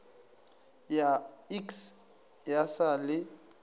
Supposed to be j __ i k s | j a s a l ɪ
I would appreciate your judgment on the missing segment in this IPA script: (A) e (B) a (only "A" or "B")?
B